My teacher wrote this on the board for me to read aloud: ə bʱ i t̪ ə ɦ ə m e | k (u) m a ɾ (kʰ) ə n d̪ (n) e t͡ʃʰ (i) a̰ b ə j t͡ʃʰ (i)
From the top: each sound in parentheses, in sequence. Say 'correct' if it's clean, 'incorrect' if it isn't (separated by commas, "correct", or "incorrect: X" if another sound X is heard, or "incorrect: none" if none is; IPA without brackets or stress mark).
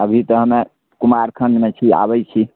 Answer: correct, correct, incorrect: m, correct, correct